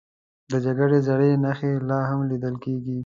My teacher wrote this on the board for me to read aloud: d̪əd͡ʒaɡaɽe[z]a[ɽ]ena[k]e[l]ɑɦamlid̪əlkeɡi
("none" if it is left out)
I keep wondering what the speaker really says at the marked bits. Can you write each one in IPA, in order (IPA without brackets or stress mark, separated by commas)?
z, ɽ, x, l